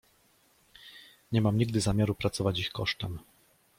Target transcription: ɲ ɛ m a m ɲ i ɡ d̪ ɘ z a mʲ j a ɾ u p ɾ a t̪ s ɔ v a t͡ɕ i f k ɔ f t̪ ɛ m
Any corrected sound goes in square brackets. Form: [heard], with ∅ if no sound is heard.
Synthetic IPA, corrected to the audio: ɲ ɛ m a m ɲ i ɡ d̪ ɘ z a mʲ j a ɾ u p ɾ a t̪ s ɔ v a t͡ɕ i [x] k ɔ [ʂ] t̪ ɛ m